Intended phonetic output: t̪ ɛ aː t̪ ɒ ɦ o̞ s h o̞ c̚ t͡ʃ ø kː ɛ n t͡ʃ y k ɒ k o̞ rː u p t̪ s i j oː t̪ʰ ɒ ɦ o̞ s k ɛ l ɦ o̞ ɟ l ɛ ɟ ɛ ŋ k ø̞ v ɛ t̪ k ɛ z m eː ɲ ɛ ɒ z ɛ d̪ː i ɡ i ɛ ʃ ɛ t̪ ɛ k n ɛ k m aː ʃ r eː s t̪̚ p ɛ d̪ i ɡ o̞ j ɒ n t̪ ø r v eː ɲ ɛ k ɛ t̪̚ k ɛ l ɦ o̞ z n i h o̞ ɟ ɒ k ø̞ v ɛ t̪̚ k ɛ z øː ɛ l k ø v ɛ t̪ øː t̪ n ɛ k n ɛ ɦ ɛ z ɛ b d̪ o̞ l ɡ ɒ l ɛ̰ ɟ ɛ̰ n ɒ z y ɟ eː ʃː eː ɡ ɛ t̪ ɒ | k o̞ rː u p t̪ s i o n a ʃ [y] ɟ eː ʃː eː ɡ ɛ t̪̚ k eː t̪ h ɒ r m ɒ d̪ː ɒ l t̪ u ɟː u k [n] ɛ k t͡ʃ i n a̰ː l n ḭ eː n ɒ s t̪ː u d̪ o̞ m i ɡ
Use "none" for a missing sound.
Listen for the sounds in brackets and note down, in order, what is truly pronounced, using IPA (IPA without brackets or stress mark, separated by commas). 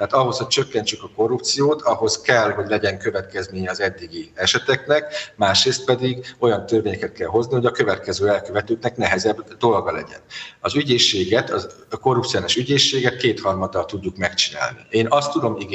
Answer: y, m